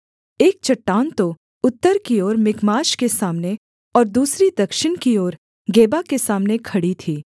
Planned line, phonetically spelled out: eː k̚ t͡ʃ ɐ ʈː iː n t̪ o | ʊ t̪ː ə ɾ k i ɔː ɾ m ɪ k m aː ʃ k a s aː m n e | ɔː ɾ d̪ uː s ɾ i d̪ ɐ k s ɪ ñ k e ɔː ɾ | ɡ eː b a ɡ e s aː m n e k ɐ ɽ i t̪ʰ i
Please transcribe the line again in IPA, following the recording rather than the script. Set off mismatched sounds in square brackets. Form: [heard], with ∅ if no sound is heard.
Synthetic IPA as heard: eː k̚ t͡ʃ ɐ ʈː [aː] n t̪ o | ʊ t̪ː ə ɾ k i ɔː ɾ m ɪ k m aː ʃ k [e] s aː m n e | ɔː ɾ d̪ uː s ɾ i d̪ ɐ k [ʃ] ɪ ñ k [i] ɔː ɾ | ɡ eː b a [k] e s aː m n e [kʰ] ɐ ɽ i t̪ʰ [iː]